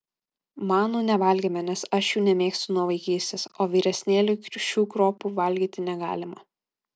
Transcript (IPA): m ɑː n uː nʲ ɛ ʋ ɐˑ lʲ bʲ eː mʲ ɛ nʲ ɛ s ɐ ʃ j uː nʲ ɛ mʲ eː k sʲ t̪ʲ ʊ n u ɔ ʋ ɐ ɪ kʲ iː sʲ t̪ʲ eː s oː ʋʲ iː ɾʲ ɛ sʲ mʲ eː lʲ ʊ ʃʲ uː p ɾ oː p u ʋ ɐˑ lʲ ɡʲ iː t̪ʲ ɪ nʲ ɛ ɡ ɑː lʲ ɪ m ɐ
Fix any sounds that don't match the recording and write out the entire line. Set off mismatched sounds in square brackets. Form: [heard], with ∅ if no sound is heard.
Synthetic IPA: m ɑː n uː nʲ ɛ ʋ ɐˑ lʲ [ɡʲ] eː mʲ ɛ nʲ ɛ s ɐ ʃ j uː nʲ ɛ mʲ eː k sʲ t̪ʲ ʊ n u ɔ ʋ ɐ ɪ kʲ iː sʲ t̪ʲ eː s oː ʋʲ iː ɾʲ ɛ sʲ [nʲ] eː lʲ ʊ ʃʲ uː [k] ɾ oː p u ʋ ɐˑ lʲ ɡʲ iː t̪ʲ ɪ nʲ ɛ ɡ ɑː lʲ ɪ m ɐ

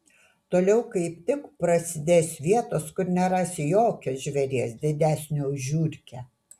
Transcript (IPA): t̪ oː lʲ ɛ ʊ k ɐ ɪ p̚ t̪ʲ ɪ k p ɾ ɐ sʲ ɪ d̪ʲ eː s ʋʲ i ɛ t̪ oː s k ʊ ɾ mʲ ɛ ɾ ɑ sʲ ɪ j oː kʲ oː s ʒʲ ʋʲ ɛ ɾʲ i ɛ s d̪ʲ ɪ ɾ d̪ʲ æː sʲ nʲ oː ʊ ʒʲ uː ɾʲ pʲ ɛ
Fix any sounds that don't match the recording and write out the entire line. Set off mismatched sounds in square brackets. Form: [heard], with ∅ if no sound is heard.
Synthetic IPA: t̪ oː lʲ ɛ ʊ k ɐ ɪ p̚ t̪ʲ ɪ k p ɾ ɐ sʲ ɪ d̪ʲ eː s ʋʲ i ɛ t̪ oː s k ʊ ɾ [nʲ] ɛ ɾ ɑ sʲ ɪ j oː kʲ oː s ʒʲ ʋʲ ɛ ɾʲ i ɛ s d̪ʲ ɪ [∅] d̪ʲ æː sʲ nʲ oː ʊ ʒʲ uː ɾʲ [kʲ] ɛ

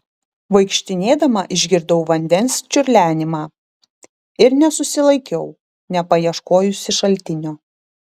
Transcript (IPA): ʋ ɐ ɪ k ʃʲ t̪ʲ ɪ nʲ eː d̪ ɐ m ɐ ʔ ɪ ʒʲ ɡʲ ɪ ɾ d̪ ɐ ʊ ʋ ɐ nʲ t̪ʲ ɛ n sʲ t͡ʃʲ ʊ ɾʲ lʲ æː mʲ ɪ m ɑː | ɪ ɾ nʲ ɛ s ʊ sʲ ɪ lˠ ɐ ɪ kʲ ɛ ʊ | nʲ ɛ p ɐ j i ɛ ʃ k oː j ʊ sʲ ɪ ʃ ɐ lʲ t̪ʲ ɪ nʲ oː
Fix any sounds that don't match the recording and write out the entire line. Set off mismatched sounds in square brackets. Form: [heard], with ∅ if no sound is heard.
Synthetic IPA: ʋ ɐ ɪ k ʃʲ t̪ʲ ɪ nʲ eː d̪ ɐ m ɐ ʔ ɪ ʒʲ ɡʲ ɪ ɾ d̪ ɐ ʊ ʋ ɐ nʲ [d̪ʲ] ɛ n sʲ t͡ʃʲ ʊ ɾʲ lʲ æː [nʲ] ɪ m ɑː | ɪ ɾ nʲ ɛ s ʊ sʲ ɪ lˠ ɐ ɪ kʲ ɛ ʊ | nʲ ɛ p ɐ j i ɛ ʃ k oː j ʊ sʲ ɪ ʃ ɐ lʲ t̪ʲ ɪ nʲ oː

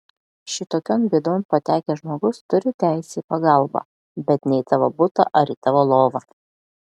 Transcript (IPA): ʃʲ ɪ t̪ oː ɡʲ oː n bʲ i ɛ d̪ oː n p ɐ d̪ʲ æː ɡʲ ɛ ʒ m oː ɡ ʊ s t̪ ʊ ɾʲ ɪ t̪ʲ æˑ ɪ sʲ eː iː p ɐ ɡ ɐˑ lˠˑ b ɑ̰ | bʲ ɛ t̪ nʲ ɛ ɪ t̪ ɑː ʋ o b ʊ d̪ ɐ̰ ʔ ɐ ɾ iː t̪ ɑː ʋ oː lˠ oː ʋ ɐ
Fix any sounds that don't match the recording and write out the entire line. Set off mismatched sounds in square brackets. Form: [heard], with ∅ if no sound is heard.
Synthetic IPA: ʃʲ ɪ t̪ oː [kʲ] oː n bʲ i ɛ d̪ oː n p ɐ [t̪ʲ] æː [kʲ] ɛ ʒ m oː ɡ ʊ s t̪ ʊ ɾʲ ɪ t̪ʲ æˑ ɪ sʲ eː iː p ɐ ɡ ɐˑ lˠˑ b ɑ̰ | bʲ ɛ t̪ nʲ ɛ ɪ t̪ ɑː ʋ o b ʊ [t̪] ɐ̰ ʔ ɐ ɾ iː t̪ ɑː ʋ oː lˠ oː ʋ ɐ

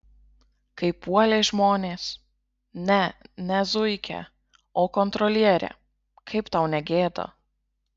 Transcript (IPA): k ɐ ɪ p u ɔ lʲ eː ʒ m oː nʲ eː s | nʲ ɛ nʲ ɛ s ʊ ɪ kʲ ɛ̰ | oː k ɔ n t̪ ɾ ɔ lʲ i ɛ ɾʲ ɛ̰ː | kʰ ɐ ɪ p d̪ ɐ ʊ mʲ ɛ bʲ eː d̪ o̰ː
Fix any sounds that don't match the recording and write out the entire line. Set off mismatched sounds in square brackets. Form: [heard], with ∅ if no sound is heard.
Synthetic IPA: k ɐ ɪ p u ɔ lʲ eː ʒ m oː nʲ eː s | nʲ ɛ nʲ ɛ [z] ʊ ɪ kʲ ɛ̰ | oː k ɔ n t̪ ɾ ɔ lʲ i ɛ ɾʲ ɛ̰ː | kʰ ɐ ɪ p [t̪] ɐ ʊ [nʲ] ɛ [ɡʲ] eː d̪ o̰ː

